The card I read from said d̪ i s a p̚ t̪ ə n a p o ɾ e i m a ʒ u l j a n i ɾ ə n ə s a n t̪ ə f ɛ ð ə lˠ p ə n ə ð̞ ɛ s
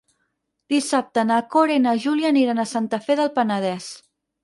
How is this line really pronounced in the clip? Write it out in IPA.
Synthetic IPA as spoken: d̪ i s a p̚ t̪ ə n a k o ɾ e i n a ʒ u l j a n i ɾ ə n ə s a n t̪ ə f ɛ ð ə lˠ p ə n ə ð̞ ɛ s

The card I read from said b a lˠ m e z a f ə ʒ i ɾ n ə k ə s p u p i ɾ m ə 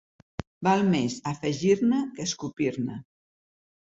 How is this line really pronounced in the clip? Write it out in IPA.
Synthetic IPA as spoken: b a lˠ m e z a f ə ʒ i ɾ n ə k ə s k u p i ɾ n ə

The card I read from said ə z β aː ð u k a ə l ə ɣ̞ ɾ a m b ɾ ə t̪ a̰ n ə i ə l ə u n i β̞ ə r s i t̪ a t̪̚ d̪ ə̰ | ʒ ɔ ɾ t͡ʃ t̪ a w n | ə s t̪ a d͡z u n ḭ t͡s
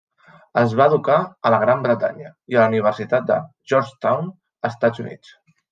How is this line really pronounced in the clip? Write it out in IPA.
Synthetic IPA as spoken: ə z β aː ð u k a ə l ə ɣ̞ ɾ a m b ɾ ə t̪ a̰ ɲ ə i ə l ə u n i β̞ ə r s i t̪ a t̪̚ d̪ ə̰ | ʒ ɔ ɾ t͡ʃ t̪ a w n | ə s t̪ a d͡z u n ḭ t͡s

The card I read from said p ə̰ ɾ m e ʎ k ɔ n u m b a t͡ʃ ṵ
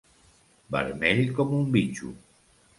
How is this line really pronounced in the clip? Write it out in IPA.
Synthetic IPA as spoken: b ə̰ ɾ m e ʎ k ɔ m u m b i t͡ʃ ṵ

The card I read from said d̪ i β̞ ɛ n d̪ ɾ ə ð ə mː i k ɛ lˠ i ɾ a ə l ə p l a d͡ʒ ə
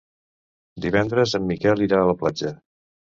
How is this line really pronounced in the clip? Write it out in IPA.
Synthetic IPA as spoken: d̪ i β̞ ɛ n d̪ ɾ ə z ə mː i k ɛ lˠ i ɾ a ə l ə p l a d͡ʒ ə

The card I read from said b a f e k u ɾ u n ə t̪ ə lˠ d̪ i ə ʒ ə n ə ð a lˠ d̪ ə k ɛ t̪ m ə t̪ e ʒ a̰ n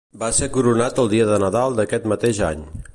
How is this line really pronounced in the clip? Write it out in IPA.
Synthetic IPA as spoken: b a s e k u ɾ u n a t̪ ə lˠ d̪ i ə ð ə n ə ð a lˠ d̪ ə k ɛ t̪ m ə t̪ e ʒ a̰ ɲ

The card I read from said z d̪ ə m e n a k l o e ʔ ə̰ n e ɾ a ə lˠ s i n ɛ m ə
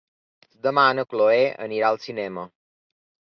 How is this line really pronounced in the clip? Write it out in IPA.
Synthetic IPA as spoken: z d̪ ə m a n ə k l o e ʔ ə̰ n i ɾ a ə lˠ s i n ɛ m ə

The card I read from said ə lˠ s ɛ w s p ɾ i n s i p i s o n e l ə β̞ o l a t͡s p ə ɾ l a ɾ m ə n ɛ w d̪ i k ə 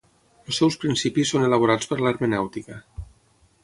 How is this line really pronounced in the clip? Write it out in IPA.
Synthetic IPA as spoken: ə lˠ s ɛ w s p ɾ i n s i p i s o n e l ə β̞ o ɾ a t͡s p ə ɾ l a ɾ m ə n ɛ w t̪ i k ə

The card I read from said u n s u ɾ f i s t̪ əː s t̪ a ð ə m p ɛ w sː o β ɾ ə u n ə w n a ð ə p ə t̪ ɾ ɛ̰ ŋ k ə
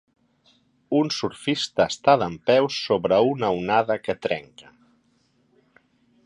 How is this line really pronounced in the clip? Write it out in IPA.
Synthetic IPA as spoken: u n s u ɾ f i s t̪ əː s t̪ a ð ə m p ɛ w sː o β ɾ ə u n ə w n a ð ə k ə t̪ ɾ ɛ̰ ŋ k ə

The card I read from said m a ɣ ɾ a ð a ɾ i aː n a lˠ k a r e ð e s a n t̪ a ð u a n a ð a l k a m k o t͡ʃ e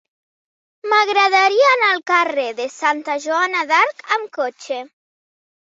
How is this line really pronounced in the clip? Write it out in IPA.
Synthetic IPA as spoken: m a ɣ ɾ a ð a ɾ i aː n a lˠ k a r e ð e s a n t̪ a ʒ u a n a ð a ɾ k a m k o t͡ʃ e

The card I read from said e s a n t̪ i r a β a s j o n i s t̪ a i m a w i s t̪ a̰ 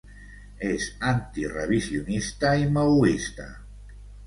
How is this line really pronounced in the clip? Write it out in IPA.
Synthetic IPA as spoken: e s a n t̪ i r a β i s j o n i s t̪ a i m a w i s t̪ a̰

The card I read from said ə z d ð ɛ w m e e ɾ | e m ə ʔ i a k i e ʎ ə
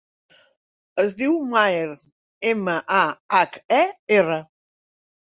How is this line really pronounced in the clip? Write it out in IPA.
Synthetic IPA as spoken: ə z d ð i w m a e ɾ | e m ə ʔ a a k ɛ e r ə

